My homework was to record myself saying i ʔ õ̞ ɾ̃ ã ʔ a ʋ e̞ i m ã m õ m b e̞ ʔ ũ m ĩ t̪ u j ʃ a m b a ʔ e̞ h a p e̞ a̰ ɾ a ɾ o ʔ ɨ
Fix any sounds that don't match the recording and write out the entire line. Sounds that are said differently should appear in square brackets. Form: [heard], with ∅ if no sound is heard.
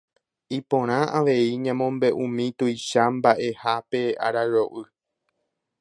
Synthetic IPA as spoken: i [p] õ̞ ɾ̃ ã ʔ a ʋ e̞ i [ɲ] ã m õ m b e̞ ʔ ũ m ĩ t̪ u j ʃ a m b a ʔ e̞ h a p e̞ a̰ ɾ a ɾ o ʔ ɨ

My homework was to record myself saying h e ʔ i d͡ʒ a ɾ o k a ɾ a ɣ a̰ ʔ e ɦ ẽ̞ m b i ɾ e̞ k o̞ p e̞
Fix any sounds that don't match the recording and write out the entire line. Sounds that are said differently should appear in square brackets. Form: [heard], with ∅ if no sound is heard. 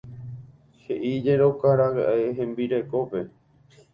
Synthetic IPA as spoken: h e ʔ i d͡ʒ [e] ɾ o k a ɾ a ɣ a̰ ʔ e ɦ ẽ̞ m b i ɾ e̞ k o̞ p e̞

